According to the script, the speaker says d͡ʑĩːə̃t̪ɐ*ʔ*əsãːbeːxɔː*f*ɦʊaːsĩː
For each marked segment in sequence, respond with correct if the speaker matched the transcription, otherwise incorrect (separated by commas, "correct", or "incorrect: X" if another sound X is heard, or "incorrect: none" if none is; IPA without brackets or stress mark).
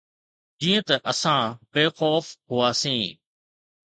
correct, correct